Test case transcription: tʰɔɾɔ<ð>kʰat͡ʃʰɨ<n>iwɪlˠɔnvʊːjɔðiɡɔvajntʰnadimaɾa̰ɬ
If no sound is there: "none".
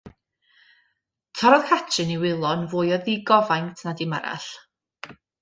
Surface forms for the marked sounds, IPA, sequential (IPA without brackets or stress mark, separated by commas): ð, n